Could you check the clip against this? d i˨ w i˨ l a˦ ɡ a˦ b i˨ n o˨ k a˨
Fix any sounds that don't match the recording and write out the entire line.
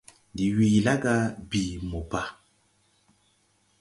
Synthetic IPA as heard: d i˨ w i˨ l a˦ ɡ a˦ b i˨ m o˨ p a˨